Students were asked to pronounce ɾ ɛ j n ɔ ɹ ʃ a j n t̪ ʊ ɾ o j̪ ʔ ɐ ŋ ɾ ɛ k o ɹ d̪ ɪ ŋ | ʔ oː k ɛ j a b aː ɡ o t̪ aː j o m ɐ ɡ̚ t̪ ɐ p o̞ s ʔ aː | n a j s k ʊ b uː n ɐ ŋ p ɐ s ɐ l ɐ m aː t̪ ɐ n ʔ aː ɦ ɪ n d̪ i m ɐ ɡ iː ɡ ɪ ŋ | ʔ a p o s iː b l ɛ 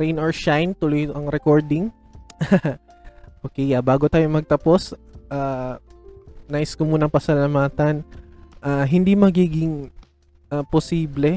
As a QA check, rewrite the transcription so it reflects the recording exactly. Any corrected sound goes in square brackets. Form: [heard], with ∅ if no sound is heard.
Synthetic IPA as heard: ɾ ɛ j n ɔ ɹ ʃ a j n t̪ ʊ [l] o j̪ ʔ ɐ ŋ ɾ ɛ k o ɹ d̪ ɪ ŋ | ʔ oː k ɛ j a b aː ɡ o t̪ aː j o m ɐ ɡ̚ t̪ ɐ p o̞ s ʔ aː | n a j s k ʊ [m] uː n ɐ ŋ p ɐ s ɐ l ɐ m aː t̪ ɐ n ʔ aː ɦ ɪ n d̪ i m ɐ ɡ iː ɡ ɪ ŋ | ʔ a p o s iː b l ɛ